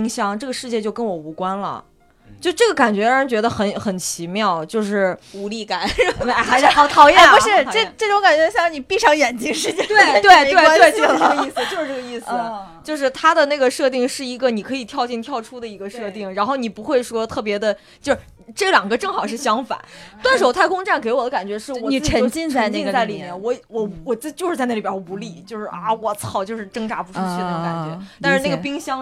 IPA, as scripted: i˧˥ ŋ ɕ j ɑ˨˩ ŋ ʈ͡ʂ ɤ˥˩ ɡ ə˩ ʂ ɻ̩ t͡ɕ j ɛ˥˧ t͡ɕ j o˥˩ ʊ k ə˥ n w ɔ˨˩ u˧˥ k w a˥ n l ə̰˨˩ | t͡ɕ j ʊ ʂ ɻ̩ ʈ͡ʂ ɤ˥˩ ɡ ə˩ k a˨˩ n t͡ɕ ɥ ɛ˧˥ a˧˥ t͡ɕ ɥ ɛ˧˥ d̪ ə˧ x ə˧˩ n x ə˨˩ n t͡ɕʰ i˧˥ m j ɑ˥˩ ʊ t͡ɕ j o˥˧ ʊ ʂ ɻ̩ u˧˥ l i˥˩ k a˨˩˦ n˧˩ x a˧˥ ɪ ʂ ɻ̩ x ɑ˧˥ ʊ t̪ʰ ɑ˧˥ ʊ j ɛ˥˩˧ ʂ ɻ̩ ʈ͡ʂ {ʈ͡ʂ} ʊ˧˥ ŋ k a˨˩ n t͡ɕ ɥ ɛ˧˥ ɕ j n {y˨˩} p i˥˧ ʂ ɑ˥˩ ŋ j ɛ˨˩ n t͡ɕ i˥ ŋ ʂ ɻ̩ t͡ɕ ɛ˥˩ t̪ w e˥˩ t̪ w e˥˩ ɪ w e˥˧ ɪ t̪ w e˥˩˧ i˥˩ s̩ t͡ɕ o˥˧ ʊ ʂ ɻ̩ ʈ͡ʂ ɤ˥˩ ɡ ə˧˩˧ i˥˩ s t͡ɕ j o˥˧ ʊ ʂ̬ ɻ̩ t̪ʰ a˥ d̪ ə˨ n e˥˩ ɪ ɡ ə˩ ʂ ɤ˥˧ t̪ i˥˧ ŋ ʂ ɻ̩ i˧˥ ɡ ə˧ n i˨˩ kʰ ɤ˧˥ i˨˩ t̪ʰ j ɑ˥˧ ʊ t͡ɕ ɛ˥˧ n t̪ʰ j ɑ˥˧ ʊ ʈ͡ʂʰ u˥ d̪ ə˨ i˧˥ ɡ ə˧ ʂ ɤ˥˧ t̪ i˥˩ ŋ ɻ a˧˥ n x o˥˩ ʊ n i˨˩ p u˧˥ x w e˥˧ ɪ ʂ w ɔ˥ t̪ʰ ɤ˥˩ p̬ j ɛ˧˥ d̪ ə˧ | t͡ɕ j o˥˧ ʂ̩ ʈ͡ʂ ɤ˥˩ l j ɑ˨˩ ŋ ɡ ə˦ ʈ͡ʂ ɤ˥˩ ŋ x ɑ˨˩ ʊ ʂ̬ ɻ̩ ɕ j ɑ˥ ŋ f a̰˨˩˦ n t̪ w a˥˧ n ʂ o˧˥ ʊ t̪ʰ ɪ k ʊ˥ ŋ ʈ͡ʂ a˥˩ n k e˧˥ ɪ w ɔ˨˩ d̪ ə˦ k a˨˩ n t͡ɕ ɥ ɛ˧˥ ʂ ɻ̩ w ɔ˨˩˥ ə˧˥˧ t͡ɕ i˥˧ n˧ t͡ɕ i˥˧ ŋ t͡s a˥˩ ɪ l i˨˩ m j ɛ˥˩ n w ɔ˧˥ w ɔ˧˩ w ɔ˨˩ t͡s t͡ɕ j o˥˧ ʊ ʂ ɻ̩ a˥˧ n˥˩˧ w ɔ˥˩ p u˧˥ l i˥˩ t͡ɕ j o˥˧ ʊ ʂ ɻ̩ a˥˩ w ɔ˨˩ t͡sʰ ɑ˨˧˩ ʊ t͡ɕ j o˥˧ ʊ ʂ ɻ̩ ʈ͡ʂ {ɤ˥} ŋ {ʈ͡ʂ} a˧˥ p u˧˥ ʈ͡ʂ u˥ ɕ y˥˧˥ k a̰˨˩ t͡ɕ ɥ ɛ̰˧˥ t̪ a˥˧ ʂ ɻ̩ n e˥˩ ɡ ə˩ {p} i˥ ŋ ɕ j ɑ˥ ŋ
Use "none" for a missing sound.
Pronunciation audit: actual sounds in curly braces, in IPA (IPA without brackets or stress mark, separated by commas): ʈ͡ʂ, i˨˩, ɤ˥, ʈ͡ʂ, p